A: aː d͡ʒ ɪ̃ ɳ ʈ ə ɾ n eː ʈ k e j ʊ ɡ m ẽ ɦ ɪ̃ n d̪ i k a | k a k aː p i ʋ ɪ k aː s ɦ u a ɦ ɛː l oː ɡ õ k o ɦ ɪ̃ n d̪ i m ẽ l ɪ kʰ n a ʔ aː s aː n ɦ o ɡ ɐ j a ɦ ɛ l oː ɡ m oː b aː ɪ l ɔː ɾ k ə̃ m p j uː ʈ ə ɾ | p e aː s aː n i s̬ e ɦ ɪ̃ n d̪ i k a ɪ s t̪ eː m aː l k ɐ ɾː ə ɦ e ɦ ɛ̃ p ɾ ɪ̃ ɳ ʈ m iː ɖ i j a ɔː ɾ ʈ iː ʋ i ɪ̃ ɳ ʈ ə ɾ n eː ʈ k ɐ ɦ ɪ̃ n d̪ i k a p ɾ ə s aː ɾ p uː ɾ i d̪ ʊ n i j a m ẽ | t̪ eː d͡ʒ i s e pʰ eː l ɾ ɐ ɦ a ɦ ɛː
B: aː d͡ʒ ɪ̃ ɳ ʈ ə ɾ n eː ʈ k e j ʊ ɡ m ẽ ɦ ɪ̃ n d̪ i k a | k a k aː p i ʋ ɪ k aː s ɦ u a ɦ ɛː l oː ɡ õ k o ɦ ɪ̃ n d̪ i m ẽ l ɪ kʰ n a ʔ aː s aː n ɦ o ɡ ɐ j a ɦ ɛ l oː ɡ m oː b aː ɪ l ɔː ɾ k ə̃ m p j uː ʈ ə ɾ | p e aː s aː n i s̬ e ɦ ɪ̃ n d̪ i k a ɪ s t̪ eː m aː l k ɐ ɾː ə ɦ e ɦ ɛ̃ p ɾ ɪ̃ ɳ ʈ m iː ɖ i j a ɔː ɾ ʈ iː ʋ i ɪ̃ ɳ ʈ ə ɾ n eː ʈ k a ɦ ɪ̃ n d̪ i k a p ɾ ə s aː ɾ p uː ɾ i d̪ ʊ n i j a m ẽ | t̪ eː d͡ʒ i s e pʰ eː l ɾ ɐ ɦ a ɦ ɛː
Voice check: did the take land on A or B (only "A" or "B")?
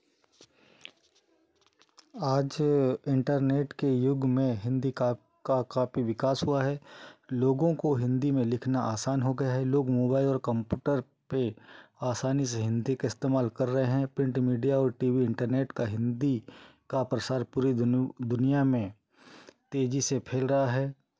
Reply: B